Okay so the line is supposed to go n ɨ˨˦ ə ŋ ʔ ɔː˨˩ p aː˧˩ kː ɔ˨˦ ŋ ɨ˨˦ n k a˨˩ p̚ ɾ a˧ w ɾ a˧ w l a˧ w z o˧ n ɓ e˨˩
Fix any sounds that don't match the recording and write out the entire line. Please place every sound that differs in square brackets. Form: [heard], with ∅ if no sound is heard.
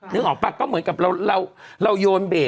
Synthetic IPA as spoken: n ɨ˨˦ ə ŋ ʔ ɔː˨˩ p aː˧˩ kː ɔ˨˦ [m] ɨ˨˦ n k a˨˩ p̚ [l] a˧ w [l] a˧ w l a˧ w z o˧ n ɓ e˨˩